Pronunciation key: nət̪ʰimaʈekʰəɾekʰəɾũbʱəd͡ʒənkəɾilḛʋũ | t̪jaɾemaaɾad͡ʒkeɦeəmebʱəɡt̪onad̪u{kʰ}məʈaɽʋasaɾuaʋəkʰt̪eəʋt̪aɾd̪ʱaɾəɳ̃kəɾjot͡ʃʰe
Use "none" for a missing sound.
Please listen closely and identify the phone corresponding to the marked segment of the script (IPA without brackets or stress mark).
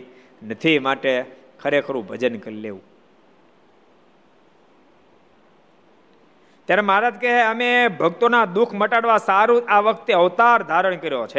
kʰ